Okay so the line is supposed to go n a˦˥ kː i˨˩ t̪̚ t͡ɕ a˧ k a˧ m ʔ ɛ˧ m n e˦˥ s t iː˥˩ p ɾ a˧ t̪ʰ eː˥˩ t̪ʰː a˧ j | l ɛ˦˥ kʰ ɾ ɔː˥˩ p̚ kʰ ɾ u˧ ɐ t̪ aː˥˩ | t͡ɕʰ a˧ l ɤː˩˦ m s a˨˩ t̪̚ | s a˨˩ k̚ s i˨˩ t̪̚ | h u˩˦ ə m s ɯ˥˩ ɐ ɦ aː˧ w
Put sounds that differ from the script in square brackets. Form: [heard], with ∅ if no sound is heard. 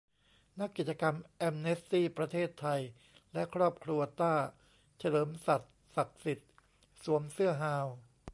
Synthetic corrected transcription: n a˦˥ kː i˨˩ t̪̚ t͡ɕ a˧ k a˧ m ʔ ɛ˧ m n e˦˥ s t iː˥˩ p ɾ a˧ t̪ʰ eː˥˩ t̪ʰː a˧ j | l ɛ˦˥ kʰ ɾ ɔː˥˩ p̚ kʰ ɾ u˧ ɐ t̪ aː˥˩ | t͡ɕʰ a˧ l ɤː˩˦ m s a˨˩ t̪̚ | s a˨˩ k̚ s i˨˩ t̪̚ | [s] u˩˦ ə m s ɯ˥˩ ɐ ɦ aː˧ w